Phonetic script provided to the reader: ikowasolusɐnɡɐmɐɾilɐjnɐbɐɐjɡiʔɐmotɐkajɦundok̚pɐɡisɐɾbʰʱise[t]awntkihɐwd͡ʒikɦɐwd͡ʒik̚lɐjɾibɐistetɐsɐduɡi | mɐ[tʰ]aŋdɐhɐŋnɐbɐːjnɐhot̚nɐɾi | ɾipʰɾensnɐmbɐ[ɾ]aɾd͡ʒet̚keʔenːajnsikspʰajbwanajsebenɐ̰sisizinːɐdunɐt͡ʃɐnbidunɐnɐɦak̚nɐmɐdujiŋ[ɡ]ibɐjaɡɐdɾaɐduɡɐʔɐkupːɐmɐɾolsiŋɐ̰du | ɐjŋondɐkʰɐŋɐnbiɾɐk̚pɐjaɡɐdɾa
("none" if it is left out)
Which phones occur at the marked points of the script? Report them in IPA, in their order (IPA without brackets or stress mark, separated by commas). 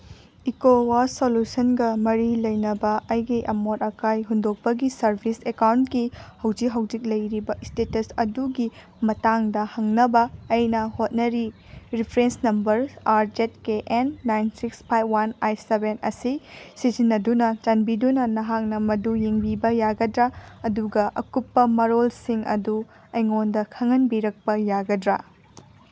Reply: k, t, ɾ, b